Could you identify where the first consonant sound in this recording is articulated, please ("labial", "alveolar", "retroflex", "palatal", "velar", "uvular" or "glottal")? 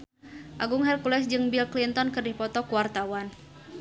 glottal